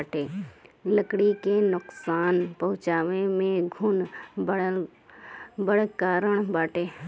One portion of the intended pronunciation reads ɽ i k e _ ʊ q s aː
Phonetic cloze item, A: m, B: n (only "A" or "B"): B